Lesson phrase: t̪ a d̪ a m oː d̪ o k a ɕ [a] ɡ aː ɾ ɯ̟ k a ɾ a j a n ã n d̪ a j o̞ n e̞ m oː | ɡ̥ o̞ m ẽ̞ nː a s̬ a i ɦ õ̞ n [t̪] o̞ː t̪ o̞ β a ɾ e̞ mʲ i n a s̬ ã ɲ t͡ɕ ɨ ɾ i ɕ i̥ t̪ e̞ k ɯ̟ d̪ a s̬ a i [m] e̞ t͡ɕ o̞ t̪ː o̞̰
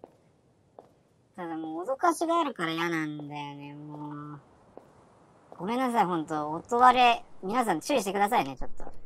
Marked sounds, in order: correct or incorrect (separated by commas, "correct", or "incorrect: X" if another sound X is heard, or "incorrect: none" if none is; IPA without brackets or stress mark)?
incorrect: i, correct, incorrect: n